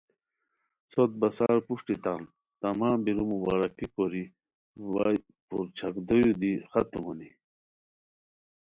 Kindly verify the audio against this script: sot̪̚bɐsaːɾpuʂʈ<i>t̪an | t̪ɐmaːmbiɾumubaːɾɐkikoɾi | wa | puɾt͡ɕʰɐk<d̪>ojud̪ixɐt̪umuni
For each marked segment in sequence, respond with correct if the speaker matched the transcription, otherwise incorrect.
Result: correct, correct

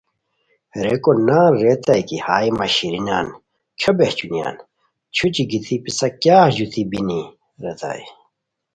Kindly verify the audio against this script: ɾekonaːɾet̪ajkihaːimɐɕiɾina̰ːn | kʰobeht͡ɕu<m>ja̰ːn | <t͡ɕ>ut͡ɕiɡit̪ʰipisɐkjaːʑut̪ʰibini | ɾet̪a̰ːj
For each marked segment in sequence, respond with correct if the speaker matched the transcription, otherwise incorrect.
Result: incorrect, incorrect

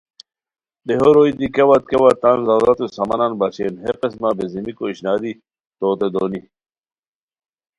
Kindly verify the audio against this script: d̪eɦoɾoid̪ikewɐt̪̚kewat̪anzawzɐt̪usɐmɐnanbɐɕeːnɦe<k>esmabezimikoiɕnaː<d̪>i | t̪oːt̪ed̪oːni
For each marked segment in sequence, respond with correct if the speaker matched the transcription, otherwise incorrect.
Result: incorrect, correct

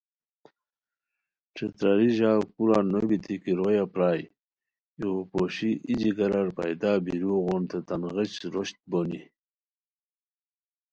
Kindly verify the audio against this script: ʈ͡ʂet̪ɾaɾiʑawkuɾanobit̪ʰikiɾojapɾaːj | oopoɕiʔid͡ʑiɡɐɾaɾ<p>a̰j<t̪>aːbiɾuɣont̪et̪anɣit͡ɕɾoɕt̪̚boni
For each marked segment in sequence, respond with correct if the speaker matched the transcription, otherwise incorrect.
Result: correct, incorrect

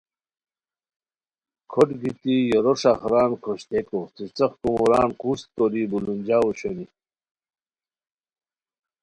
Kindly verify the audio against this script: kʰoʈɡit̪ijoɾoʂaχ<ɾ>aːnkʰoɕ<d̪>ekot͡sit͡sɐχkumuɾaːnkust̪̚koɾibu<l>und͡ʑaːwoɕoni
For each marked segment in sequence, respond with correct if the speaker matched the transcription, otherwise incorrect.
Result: correct, incorrect, correct

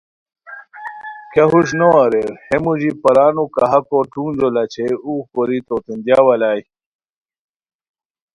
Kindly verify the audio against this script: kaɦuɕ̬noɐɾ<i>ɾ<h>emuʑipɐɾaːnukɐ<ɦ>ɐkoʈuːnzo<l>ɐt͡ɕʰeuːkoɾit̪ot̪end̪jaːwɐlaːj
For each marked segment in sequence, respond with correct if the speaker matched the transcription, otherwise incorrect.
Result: incorrect, correct, correct, correct

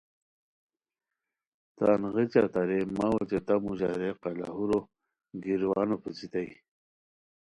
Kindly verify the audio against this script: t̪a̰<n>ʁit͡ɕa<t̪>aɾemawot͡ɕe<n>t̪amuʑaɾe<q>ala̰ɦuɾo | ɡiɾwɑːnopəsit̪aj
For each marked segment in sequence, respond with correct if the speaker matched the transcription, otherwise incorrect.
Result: correct, correct, incorrect, correct

